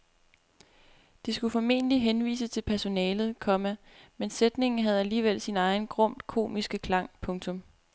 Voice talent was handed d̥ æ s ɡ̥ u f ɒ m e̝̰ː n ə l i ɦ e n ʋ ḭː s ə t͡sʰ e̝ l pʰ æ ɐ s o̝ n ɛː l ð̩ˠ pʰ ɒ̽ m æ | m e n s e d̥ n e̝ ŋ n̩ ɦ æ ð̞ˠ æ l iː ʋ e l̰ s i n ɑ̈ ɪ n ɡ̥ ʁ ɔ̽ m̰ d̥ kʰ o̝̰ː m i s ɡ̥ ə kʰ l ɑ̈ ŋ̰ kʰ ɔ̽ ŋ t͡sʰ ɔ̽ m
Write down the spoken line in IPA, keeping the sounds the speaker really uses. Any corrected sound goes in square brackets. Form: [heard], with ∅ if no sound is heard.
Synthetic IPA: d̥ [i] s ɡ̥ u f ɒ m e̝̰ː n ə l i ɦ e n ʋ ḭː s ə t͡sʰ e̝ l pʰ æ ɐ s o̝ n ɛː l ð̩ˠ [kʰ] ɒ̽ m æ | m e n s e d̥ n e̝ ŋ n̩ ɦ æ ð̞ˠ æ l iː ʋ e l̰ s i n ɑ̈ ɪ n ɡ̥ ʁ ɔ̽ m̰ d̥ kʰ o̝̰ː m i s ɡ̥ ə kʰ l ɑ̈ ŋ̰ [pʰ] ɔ̽ ŋ t͡sʰ ɔ̽ m